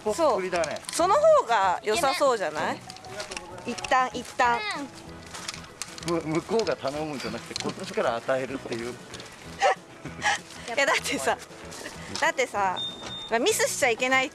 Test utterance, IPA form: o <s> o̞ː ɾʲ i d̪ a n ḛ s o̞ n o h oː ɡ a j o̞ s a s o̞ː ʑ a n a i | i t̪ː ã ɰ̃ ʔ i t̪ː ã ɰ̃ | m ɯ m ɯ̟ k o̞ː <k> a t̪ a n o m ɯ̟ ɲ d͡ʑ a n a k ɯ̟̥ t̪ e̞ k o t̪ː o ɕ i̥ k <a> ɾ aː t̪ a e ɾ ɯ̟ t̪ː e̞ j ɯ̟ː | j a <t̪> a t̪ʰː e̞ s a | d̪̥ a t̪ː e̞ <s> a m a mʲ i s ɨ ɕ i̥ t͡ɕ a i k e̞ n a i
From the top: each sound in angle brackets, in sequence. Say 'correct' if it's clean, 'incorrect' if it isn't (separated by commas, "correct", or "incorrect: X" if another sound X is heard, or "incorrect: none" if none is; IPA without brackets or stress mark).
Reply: correct, incorrect: ɡ, correct, incorrect: d̪, correct